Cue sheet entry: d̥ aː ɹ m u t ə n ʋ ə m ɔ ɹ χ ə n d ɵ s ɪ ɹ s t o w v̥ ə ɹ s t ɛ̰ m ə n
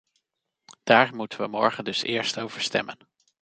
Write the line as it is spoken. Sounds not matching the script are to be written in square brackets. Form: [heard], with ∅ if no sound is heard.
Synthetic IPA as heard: d̥ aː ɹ m u t ə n ʋ ə m ɔ ɹ χ ə n d ɵ s [ɪː] ɹ s t o w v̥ ə ɹ s t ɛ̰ m ə n